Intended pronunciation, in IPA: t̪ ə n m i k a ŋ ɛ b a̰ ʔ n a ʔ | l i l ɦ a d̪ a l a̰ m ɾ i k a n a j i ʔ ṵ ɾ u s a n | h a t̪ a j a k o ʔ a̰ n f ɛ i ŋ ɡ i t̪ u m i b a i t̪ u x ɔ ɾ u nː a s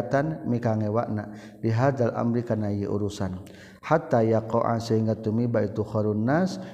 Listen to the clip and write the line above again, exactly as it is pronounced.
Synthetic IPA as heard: t̪ a n m i k a ŋ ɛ w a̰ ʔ n a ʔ | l i ɦ a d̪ a l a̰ m ɾ i k a n a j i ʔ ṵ ɾ u s a n | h a t̪ a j a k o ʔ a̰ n s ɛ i ŋ ɡ a t̪ u m i b a i t̪ u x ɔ ɾ u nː a s